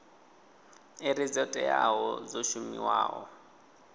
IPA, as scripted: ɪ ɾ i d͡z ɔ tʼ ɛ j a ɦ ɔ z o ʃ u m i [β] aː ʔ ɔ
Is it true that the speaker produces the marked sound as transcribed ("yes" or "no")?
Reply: no